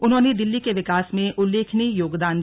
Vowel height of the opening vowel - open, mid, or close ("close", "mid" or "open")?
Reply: close